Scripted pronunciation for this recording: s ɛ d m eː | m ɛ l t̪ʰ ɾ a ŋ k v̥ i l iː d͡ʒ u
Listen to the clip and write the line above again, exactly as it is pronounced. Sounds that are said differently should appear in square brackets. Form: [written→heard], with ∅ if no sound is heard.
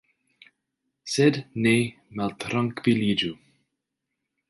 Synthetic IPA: s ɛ d [m→n] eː | m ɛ l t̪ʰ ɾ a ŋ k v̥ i l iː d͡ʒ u

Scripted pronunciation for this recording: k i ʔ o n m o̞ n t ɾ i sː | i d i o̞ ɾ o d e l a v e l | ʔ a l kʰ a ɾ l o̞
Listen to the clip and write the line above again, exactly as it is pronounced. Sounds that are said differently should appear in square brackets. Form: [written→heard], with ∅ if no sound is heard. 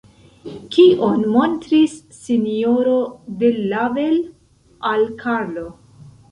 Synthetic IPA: k i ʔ o n m o̞ n t ɾ i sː | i [d→n] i o̞ ɾ o d e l a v e l | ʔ a l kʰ a ɾ l o̞

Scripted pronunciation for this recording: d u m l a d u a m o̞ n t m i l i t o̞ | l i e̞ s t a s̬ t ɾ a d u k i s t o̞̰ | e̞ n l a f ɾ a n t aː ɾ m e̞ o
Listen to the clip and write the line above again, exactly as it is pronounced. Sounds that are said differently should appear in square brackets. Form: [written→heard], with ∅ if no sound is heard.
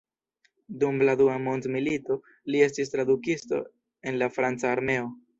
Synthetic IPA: d u m l a d u a m o̞ n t m i l i t o̞ | l i e̞ s t [a→i] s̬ t ɾ a d u k i s t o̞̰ | e̞ n l a f ɾ a n [t→t͡s] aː ɾ m e̞ o

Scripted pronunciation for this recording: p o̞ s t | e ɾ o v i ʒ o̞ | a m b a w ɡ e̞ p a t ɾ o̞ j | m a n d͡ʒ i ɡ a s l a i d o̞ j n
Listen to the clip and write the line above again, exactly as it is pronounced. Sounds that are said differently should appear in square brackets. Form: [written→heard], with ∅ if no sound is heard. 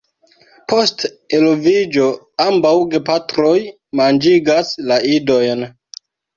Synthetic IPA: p o̞ s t | e [ɾ→l] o v i [ʒ→d͡ʒ] o̞ | a m b a w ɡ e̞ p a t ɾ o̞ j | m a n d͡ʒ i ɡ a s l a i d o̞ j n

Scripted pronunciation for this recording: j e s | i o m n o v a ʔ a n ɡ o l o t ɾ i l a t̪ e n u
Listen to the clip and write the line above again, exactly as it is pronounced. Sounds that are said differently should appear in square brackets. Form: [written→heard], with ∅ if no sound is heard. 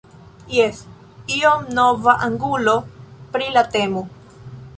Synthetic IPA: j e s | i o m n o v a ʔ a [n→ŋ] ɡ [o→u] l o [t→p] ɾ i l a t̪ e [n→m] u

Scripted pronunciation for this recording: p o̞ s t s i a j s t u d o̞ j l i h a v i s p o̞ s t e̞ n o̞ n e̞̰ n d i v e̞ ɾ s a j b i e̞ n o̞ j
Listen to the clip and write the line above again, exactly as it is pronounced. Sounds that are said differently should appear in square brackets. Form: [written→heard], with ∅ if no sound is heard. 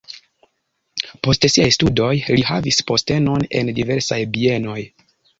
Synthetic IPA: p o̞ s t s i a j s t u d o̞ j l i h a v i s p o̞ s t e̞ n o̞ n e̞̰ n d i v e̞ ɾ s a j b i e̞ n o̞ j

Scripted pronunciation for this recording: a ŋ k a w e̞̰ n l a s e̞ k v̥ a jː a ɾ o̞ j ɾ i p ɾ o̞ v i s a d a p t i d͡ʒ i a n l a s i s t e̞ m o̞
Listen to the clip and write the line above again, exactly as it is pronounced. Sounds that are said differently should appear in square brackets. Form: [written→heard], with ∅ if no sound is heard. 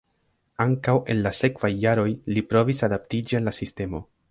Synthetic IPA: a ŋ k a w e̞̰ n l a s e̞ k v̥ a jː a ɾ o̞ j [ɾ→l] i p ɾ o̞ v i s a d a p t i d͡ʒ i a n l a s i s t e̞ m o̞

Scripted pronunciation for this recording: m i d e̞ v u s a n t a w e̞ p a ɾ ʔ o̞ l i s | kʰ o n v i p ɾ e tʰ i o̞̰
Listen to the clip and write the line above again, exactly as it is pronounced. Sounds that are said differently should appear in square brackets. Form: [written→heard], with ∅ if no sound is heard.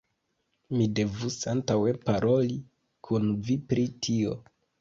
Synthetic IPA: m i d e̞ v u s a n t a w e̞ p a ɾ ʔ o̞ l i [s→∅] | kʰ [o→u] n v i p ɾ [e→i] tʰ i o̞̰

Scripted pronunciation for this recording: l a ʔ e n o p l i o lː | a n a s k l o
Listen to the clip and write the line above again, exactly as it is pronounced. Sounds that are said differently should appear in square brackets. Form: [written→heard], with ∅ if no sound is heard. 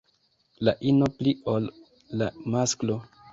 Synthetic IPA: l a ʔ [e→i] n o p l i o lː | a [n→m] a s k l o

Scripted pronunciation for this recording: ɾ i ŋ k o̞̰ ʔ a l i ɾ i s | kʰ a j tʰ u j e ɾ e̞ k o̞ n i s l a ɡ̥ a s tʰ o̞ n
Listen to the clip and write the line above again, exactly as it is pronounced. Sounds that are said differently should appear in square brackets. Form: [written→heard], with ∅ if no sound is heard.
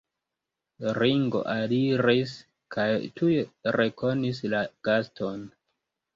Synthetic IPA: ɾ i ŋ [k→ɡ] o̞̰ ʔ a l i ɾ i s | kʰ a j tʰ u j e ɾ e̞ k o̞ n i s l a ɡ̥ a s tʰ o̞ n

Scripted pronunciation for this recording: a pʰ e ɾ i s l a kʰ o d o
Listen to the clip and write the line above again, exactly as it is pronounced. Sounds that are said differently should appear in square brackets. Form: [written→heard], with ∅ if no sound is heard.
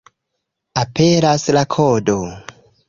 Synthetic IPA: a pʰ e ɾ [i→a] s l a kʰ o d o

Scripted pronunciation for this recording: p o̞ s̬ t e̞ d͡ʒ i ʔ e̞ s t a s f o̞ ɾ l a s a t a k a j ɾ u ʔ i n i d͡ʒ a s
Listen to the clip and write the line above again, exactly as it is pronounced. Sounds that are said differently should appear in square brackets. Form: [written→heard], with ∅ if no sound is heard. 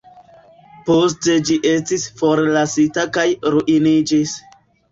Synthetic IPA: p o̞ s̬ t e̞ d͡ʒ i ʔ e̞ s t [a→i] s f o̞ ɾ l a s [a→i] t a k a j ɾ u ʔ i n i d͡ʒ [a→i] s

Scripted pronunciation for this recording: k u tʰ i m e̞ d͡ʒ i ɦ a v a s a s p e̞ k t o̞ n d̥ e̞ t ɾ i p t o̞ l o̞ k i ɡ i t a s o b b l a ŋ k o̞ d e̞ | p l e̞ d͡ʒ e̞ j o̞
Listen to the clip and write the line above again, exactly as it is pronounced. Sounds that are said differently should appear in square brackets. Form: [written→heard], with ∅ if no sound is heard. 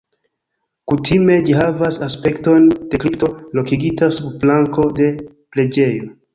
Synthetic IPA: k u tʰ i m e̞ d͡ʒ i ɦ a v a s a s p e̞ k t o̞ n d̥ e̞ [t→k] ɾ i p t o̞ l o̞ k i ɡ i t a s [o→u] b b l a ŋ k o̞ d e̞ | p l e̞ d͡ʒ e̞ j o̞

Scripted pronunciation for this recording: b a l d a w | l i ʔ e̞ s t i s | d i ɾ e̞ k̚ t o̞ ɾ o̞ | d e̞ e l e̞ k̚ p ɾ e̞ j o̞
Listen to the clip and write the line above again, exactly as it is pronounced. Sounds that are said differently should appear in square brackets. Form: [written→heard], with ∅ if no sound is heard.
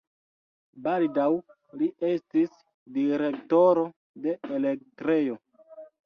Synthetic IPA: b a l d a w | l i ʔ e̞ s t i s | d i ɾ e̞ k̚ t o̞ ɾ o̞ | d e̞ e l e̞ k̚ [p→t] ɾ e̞ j o̞

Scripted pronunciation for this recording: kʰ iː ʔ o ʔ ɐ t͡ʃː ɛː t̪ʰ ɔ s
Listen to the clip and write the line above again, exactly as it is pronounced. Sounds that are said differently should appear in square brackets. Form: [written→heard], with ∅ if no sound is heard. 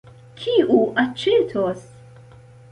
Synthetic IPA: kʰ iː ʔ [o→u] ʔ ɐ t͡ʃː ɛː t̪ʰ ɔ s

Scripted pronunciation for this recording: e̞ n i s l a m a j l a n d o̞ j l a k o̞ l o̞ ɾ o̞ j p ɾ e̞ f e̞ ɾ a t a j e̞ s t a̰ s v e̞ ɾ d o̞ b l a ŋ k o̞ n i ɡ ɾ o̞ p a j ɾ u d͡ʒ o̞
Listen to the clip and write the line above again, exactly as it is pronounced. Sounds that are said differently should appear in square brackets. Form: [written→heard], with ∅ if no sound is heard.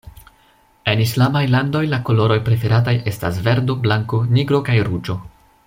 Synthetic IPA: e̞ n i s l a m a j l a n d o̞ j l a k o̞ l o̞ ɾ o̞ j p ɾ e̞ f e̞ ɾ a t a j e̞ s t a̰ s v e̞ ɾ d o̞ b l a ŋ k o̞ n i ɡ ɾ o̞ [p→k] a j ɾ u d͡ʒ o̞

